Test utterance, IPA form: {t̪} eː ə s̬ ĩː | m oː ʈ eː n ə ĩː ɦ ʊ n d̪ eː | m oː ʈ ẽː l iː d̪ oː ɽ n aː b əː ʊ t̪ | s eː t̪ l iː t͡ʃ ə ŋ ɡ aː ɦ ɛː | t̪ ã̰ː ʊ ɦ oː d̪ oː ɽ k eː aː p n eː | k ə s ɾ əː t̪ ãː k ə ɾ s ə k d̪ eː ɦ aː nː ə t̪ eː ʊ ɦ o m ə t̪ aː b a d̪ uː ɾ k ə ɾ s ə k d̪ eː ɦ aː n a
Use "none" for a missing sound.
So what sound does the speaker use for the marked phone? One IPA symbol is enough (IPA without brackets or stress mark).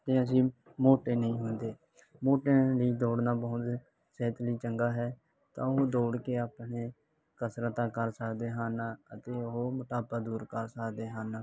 t̪